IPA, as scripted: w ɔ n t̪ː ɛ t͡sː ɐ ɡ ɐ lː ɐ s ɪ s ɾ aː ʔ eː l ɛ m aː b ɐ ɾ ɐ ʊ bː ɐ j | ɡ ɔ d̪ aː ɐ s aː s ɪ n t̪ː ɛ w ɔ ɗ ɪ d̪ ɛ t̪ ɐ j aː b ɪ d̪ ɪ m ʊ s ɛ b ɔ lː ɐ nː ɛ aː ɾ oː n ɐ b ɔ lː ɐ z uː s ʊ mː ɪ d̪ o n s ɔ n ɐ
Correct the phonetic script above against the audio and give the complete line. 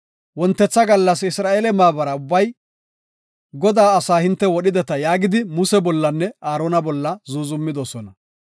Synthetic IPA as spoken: w ɔ n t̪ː ɛ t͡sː ɐ ɡ ɐ lː ɐ s ɪ s ɾ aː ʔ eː l ɛ m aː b ɐ ɾ ɐ ʊ bː ɐ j | ɡ ɔ d̪ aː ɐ s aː h ɪ n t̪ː ɛ w ɔ ɗ ɪ d̪ ɛ t̪ ɐ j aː ɡ ɪ d̪ ɪ m ʊ s ɛ b ɔ lː ɐ nː ɛ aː ɾ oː n ɐ b ɔ lː ɐ z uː z ʊ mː ɪ d̪ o s ɔ n ɐ